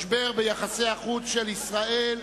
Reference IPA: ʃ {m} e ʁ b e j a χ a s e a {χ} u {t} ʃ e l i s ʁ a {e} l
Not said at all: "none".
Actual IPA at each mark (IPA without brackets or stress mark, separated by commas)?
b, χ, t͡s, e